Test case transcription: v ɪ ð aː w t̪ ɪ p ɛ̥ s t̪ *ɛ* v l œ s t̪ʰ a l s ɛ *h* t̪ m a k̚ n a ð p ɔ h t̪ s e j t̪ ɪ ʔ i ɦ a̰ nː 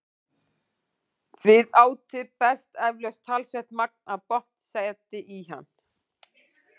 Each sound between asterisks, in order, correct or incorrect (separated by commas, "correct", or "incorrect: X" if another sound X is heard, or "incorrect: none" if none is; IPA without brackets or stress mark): correct, correct